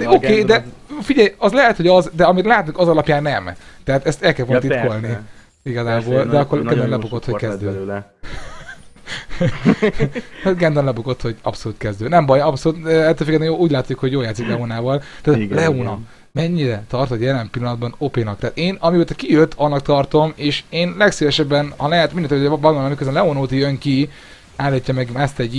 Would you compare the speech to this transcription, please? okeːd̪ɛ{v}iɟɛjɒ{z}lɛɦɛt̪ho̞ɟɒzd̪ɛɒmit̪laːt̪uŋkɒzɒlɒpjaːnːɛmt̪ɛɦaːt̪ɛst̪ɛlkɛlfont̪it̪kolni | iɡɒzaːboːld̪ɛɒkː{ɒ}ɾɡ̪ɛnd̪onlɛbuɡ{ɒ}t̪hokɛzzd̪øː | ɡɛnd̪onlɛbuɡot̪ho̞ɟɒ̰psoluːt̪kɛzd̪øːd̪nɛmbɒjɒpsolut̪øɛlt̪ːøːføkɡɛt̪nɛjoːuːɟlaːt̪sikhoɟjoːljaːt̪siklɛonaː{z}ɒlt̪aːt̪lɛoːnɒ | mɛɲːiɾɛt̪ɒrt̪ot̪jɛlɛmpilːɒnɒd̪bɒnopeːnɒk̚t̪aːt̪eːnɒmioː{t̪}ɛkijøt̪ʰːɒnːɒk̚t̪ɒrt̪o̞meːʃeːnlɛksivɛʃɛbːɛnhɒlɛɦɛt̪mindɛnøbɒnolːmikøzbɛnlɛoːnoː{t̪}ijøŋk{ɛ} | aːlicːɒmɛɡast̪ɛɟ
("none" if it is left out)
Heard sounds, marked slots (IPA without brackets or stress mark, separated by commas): f, z, o, o, v, t̪, t̪, i